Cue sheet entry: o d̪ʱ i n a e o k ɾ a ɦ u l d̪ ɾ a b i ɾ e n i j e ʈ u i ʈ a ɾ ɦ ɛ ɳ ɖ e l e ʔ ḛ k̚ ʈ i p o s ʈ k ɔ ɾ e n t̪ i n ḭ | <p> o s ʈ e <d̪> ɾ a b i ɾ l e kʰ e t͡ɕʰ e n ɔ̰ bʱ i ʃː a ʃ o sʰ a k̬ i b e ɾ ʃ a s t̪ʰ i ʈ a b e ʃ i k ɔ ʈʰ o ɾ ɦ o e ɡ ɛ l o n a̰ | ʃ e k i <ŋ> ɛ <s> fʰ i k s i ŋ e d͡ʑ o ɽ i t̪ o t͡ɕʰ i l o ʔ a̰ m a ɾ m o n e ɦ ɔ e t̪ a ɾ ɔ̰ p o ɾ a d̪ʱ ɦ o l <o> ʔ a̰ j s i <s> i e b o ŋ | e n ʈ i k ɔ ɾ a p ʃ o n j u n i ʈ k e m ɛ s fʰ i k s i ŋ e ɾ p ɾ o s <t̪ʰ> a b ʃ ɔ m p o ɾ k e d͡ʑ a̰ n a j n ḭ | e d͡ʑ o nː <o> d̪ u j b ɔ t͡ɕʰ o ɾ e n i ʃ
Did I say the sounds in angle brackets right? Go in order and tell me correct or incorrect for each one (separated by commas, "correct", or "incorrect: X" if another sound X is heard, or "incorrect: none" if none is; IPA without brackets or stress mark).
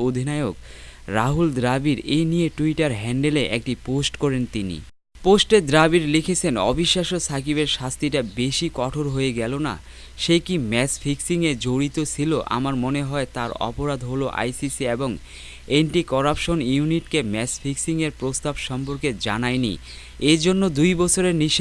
correct, correct, incorrect: m, correct, correct, correct, incorrect: t̪, correct